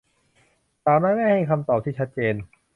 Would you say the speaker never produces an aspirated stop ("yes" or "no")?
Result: no